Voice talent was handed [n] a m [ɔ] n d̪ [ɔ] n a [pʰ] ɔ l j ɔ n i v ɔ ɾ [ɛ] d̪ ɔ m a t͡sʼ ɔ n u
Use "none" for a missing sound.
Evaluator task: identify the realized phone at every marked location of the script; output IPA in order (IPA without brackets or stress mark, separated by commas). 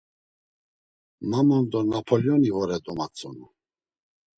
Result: m, ɔ, ɔ, pʰ, ɛ